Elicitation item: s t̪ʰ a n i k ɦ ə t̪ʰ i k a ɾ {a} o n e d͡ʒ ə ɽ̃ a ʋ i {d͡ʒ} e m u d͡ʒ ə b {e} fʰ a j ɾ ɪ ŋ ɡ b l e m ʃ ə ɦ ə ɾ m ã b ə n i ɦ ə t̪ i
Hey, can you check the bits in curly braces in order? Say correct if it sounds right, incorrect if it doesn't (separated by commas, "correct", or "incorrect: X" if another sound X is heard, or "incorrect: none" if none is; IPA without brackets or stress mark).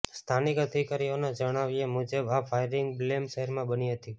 incorrect: i, incorrect: none, incorrect: a